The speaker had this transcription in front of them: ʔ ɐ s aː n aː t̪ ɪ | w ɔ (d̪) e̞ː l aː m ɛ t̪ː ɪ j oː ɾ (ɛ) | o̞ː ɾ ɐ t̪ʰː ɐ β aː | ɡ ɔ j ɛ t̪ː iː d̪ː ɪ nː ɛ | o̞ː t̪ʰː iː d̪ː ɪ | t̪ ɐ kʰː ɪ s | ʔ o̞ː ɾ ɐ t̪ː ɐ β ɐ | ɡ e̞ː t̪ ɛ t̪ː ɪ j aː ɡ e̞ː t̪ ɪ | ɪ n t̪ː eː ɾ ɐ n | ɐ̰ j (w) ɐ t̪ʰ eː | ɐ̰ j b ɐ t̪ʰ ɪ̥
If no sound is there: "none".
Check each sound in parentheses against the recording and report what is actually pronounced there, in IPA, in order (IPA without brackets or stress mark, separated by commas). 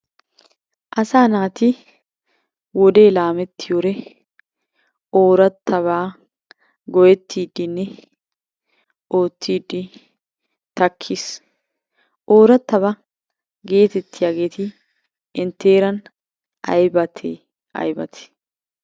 d̪, ɛ, b